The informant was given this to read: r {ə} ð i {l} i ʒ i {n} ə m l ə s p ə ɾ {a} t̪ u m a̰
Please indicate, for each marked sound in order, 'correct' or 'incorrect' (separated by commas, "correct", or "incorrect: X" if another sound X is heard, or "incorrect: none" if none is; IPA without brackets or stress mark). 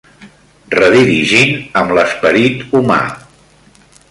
correct, incorrect: ɾ, correct, incorrect: i